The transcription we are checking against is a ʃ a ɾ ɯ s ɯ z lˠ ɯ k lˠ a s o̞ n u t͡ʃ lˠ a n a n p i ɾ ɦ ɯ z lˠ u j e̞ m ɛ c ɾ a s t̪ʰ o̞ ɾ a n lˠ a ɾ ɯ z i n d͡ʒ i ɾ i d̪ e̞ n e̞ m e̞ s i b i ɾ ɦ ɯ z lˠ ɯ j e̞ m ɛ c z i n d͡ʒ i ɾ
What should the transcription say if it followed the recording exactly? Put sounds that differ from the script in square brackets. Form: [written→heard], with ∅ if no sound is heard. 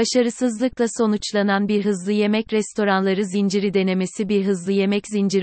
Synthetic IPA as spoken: a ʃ a ɾ ɯ s ɯ z lˠ ɯ k lˠ a s o̞ n u t͡ʃ lˠ a n a n [p→b] i ɾ ɦ ɯ z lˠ [u→ɯ] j e̞ m ɛ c ɾ [a→ɛ] s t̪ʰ o̞ ɾ a n lˠ a ɾ ɯ z i n d͡ʒ i ɾ i d̪ e̞ n e̞ m e̞ s i b i ɾ ɦ ɯ z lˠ ɯ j e̞ m ɛ c z i n d͡ʒ i ɾ